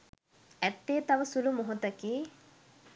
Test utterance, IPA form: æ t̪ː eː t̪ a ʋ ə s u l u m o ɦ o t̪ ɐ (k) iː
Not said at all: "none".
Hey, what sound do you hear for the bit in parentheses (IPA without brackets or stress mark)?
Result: k